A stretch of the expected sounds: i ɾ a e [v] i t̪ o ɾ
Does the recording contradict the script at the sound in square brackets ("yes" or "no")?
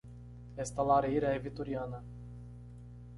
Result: no